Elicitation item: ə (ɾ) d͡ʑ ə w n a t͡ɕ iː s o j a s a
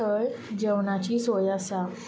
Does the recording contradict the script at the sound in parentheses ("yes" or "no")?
yes